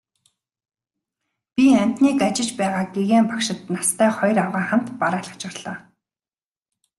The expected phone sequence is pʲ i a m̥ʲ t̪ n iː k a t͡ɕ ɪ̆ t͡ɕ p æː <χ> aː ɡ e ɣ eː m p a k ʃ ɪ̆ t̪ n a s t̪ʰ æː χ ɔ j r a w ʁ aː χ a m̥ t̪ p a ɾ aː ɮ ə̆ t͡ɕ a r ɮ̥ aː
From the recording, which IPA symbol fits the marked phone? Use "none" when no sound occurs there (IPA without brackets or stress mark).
ʁ